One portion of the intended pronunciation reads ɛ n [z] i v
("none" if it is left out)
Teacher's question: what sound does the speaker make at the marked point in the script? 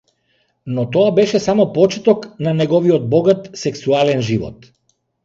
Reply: ʒ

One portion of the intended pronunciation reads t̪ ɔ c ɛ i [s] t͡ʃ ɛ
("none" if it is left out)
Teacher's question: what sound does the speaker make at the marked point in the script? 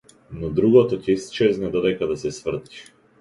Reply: s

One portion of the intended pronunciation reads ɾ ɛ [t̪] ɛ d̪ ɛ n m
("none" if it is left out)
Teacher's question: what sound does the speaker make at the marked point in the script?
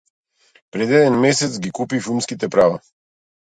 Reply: d̪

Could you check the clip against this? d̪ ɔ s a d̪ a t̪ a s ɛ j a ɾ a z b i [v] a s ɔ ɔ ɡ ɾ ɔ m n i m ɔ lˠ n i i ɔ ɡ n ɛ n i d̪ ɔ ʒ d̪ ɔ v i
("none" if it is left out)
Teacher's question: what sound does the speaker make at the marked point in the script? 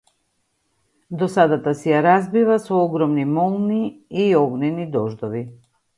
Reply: v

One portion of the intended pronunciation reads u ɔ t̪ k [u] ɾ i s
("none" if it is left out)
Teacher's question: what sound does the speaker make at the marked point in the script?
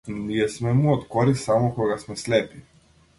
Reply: ɔ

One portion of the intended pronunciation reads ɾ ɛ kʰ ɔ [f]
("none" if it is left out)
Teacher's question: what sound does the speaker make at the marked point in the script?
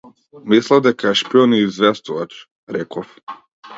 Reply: f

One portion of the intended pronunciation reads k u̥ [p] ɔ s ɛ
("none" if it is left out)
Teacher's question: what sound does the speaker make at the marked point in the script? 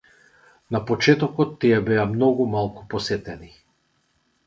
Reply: p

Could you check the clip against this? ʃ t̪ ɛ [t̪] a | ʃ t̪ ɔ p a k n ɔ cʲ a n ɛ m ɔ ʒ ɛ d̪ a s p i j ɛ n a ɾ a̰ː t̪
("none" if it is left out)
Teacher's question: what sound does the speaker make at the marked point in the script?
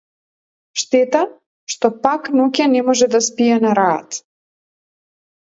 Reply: t̪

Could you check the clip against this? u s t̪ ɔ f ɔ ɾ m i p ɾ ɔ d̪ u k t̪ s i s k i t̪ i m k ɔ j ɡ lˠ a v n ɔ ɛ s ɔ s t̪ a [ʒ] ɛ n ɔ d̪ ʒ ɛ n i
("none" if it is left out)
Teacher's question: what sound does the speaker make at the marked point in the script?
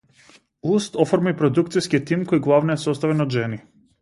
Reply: v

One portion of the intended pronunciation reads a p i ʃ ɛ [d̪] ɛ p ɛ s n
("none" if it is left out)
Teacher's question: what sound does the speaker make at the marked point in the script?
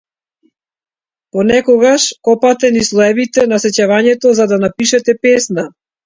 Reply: t̪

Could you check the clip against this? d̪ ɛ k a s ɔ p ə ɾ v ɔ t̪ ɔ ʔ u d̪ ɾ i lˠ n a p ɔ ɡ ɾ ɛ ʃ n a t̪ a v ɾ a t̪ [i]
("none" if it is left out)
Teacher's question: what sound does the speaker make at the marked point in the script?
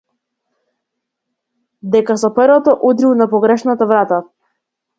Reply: a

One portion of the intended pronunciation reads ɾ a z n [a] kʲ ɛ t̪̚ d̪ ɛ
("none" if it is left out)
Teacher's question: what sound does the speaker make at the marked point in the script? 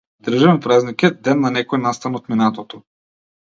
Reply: i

